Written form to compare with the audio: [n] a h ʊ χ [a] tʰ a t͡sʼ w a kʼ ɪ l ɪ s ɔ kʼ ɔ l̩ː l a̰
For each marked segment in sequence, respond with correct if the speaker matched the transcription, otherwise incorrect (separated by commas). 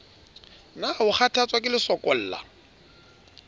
correct, correct